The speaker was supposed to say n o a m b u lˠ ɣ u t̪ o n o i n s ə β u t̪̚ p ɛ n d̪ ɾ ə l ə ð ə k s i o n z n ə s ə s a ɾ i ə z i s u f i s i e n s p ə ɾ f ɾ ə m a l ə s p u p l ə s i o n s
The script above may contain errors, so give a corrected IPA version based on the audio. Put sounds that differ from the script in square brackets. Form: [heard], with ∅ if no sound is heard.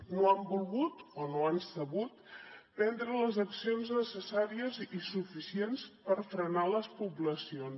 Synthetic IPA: n o a m b u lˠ ɣ u t̪ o n o [a] n s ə β u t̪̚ p ɛ n d̪ ɾ ə l ə [z] ə k s i o n z n ə s ə s a ɾ i ə z i s u f i s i e n s p ə ɾ f ɾ ə [n] a l ə s p u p l ə s i o n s